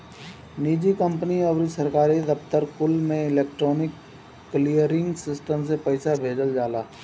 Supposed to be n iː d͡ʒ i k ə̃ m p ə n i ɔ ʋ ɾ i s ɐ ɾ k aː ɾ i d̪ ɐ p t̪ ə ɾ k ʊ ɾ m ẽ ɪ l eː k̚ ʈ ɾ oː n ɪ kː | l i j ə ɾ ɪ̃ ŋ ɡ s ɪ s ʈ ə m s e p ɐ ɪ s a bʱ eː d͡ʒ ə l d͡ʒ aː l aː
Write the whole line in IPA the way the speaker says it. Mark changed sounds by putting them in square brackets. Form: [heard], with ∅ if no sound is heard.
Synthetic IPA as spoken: n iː d͡ʒ i k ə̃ m p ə n i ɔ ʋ ɾ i s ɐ ɾ k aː ɾ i d̪ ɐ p t̪ ə ɾ k ʊ [l] m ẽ ɪ l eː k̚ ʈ ɾ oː n ɪ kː | l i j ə ɾ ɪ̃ ŋ ɡ s ɪ s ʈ ə m s e p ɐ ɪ s a bʱ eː d͡ʒ ə l d͡ʒ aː l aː